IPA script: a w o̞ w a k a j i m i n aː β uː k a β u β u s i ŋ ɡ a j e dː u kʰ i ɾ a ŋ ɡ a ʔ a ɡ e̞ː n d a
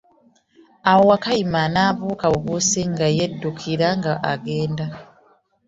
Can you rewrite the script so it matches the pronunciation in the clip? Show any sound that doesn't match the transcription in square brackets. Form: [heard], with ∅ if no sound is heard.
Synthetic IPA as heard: a w o̞ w a k a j i m [a] n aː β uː k a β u β u s i ŋ ɡ a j e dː u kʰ i ɾ a ŋ ɡ a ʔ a ɡ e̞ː n d a